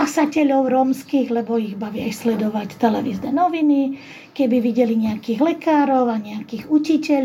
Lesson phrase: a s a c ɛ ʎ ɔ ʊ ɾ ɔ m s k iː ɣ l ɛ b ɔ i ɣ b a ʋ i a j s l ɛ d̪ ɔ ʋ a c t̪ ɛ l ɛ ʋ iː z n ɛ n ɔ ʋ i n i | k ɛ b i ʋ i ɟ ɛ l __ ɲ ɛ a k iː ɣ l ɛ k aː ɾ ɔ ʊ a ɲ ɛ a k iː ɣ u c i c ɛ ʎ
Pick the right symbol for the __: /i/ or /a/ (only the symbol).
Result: i